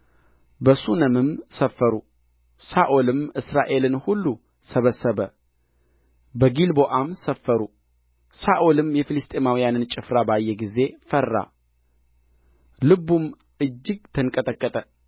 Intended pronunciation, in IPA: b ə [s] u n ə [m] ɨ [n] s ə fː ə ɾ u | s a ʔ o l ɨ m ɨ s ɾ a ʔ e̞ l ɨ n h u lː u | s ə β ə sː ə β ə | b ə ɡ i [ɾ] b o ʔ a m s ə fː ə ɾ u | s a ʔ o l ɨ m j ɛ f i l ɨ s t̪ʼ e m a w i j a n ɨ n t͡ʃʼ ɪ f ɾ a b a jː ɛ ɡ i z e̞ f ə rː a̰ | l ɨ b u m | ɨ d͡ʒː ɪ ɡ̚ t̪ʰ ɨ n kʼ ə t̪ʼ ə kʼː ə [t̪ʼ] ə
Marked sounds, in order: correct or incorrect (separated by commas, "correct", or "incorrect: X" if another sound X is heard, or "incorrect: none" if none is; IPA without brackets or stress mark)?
correct, correct, incorrect: m, incorrect: l, correct